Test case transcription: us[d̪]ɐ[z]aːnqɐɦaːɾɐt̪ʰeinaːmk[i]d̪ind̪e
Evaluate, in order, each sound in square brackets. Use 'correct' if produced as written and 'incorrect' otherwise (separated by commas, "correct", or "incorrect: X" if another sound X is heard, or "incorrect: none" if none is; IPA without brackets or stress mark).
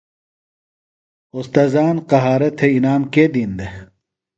incorrect: t̪, correct, incorrect: e